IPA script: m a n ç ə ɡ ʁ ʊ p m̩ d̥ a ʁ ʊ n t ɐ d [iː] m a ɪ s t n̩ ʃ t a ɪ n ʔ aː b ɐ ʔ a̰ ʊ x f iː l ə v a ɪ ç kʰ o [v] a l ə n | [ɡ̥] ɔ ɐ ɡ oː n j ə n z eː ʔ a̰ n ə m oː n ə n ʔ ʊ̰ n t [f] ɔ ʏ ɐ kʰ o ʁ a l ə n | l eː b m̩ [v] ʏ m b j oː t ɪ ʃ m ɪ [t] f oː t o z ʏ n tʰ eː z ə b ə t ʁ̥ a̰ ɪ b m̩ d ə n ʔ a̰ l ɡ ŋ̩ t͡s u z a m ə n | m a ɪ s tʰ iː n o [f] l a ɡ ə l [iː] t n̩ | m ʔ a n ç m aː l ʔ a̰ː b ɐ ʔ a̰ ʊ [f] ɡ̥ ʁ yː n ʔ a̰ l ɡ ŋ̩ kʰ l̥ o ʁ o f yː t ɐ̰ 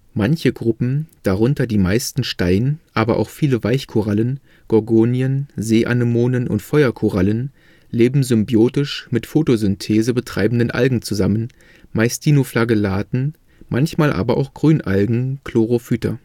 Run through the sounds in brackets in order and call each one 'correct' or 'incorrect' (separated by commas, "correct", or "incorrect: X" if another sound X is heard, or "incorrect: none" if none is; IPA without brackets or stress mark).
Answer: correct, incorrect: ʁ, correct, correct, incorrect: z, correct, correct, incorrect: aː, incorrect: x